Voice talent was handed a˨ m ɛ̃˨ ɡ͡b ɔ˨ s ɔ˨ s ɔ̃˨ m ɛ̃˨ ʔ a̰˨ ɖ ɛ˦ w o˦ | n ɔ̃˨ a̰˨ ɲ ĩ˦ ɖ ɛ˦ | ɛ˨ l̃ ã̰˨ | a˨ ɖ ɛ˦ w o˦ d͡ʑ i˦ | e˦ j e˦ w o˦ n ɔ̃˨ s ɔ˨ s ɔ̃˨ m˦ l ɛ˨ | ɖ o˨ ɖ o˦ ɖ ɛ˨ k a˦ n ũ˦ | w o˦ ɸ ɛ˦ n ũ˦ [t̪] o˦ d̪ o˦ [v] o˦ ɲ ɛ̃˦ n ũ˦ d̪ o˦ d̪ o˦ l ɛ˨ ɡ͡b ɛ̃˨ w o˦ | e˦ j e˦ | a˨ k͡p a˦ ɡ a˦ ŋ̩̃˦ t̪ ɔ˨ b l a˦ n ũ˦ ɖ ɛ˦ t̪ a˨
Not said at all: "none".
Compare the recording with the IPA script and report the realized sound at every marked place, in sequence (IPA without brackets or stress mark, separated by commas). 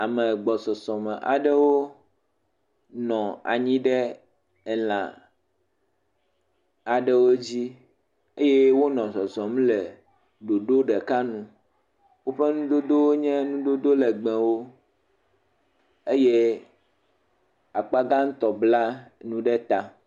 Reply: d̪, w